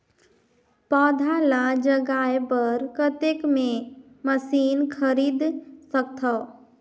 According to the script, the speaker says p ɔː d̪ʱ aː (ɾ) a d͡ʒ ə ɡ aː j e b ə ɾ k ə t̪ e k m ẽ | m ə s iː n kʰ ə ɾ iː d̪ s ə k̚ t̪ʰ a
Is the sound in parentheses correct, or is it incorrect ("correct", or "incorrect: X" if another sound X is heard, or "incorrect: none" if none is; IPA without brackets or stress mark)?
incorrect: l